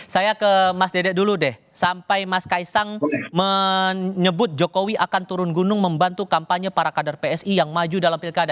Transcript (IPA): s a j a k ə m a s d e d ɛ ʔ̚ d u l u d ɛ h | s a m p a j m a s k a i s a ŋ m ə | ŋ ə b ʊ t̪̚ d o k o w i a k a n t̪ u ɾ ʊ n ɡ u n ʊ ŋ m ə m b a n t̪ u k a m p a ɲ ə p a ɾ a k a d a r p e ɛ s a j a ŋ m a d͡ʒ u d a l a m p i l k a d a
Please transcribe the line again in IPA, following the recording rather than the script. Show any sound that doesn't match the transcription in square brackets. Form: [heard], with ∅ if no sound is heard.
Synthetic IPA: s a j a k ə m a s d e d ɛ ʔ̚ d u l u d ɛ h | s a m p a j m a s k a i s a ŋ m ə | [ɲ] ə b ʊ t̪̚ [d͡ʒ] o k o w i a k a n t̪ u ɾ ʊ n ɡ u n ʊ ŋ m ə m b a n t̪ u k a m p a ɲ ə p a ɾ a k a d a r p e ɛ s [i] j a ŋ m a d͡ʒ u d a l a m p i l k a d a